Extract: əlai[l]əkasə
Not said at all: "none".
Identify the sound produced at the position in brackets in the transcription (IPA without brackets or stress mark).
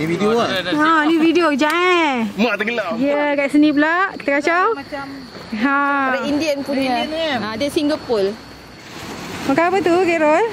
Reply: none